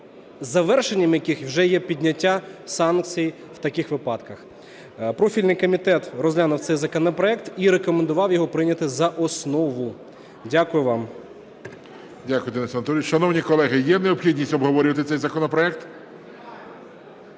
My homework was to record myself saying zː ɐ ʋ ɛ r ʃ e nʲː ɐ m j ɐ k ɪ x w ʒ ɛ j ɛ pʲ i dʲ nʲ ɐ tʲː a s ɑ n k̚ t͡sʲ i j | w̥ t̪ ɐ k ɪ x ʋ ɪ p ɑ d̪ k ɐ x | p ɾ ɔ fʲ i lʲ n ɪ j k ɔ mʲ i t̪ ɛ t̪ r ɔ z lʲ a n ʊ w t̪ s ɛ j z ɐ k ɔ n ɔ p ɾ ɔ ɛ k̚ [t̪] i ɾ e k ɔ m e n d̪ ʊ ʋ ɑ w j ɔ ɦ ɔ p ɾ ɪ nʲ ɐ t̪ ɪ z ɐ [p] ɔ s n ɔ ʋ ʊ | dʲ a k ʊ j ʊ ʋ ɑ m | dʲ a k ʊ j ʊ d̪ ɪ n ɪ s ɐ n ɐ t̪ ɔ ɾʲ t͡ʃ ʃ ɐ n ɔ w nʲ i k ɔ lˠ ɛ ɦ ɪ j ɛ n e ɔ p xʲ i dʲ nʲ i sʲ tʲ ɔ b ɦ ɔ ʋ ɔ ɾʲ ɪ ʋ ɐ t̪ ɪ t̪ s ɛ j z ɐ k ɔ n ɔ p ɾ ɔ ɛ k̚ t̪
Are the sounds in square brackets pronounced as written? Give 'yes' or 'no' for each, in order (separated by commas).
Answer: yes, no